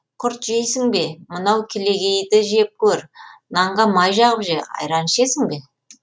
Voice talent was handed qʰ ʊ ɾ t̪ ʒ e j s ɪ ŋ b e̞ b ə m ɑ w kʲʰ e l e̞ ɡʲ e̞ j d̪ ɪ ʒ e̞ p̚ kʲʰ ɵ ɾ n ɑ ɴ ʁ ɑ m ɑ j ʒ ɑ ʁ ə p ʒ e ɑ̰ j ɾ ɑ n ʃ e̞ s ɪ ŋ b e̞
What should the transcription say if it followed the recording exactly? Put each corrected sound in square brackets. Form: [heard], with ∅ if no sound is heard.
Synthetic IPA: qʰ ʊ ɾ t̪ ʒ e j s ɪ ŋ b e̞ [m] ə [n] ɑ w kʲʰ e l e̞ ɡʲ e̞ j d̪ ɪ ʒ e̞ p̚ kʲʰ ɵ ɾ n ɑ ɴ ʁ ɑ m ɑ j ʒ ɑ ʁ ə p ʒ e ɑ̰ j ɾ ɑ n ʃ e̞ s ɪ ŋ b e̞